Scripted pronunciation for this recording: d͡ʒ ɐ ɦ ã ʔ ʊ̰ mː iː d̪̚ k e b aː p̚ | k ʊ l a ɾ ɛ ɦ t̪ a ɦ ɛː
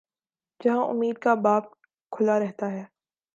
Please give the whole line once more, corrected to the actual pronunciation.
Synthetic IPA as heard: d͡ʒ ɐ ɦ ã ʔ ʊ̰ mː iː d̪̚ k a b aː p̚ | kʰ ʊ l a ɾ ɛ ɦ t̪ a ɦ ɛː